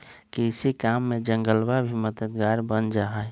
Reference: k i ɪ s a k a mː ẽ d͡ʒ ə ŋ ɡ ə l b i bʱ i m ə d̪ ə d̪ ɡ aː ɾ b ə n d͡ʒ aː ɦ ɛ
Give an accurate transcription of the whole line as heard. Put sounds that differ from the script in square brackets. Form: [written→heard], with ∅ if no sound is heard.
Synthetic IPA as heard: k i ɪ s [a→i] k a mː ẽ d͡ʒ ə ŋ ɡ ə l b [i→a] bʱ i m ə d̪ ə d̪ ɡ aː ɾ b ə n d͡ʒ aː ɦ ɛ